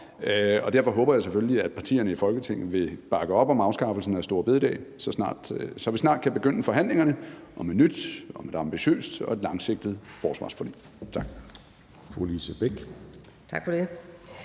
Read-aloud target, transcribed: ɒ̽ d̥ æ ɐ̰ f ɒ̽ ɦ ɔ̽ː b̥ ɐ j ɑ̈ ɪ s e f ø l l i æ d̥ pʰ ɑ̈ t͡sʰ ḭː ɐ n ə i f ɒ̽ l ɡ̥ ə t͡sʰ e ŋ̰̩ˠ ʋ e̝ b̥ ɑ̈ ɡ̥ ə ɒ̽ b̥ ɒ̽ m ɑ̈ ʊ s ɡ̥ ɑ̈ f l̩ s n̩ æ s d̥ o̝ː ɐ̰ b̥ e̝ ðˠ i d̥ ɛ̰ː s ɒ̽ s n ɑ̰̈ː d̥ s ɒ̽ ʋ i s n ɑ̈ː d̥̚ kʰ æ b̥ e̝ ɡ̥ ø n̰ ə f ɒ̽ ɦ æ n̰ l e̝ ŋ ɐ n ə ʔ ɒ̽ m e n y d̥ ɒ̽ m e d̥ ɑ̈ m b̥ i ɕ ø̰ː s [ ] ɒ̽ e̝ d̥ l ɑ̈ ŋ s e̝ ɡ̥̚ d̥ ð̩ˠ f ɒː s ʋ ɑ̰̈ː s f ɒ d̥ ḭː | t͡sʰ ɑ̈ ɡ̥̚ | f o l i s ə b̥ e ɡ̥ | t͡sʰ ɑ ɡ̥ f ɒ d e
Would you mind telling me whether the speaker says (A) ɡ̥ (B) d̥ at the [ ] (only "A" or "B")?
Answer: B